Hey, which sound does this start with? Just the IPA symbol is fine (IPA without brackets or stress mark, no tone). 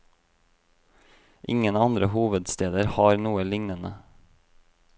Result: ʔ